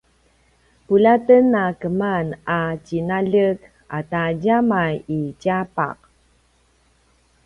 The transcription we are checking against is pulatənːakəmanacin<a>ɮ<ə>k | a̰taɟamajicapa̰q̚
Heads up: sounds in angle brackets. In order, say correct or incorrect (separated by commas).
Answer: correct, correct